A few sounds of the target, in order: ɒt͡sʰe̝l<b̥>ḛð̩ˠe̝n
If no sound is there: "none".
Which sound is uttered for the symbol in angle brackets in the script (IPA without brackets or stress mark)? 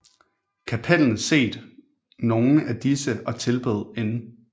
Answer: b̥